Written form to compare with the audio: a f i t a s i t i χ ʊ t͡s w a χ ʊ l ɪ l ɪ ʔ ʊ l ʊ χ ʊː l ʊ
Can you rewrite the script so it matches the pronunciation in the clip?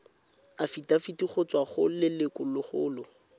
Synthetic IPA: a f i t a f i t i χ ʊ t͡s w a χ ʊ l ɪ l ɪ k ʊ l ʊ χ ʊː l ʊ